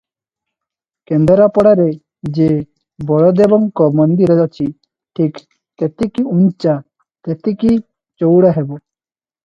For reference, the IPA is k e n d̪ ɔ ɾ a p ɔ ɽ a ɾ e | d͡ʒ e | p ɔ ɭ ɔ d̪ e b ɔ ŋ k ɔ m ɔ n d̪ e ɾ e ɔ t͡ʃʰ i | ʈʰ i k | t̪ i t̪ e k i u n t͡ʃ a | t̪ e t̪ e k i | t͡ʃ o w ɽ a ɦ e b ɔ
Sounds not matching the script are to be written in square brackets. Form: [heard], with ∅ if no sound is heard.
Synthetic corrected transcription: k e n d̪ ɔ ɾ a p ɔ ɽ a ɾ e | d͡ʒ e | [b] ɔ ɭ ɔ d̪ e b ɔ ŋ k ɔ m ɔ n d̪ [i] ɾ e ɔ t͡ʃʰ i | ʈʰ i k | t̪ [e] t̪ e k i u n t͡ʃ a | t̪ e t̪ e k i | t͡ʃ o w ɽ a ɦ e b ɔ